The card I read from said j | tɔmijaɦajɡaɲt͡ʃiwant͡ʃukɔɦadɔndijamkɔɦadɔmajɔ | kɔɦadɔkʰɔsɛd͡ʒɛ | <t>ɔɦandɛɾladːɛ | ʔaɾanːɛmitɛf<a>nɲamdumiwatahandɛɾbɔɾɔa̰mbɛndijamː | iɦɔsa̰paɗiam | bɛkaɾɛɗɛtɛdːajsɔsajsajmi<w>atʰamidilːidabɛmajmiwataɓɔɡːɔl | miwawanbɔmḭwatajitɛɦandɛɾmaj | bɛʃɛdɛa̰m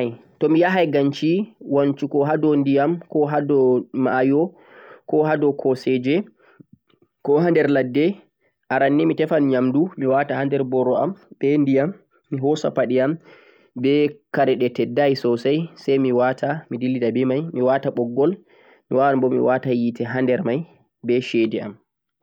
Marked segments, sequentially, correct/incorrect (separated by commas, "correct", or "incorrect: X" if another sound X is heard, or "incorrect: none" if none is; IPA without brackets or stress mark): incorrect: k, correct, correct